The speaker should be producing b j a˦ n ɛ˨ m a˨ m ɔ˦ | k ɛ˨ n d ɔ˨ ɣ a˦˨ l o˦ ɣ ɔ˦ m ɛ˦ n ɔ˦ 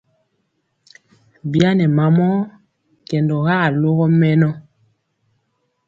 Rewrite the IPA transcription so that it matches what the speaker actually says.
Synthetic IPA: b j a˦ n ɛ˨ m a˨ m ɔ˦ | k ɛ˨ n d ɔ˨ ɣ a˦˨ l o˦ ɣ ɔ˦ m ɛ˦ n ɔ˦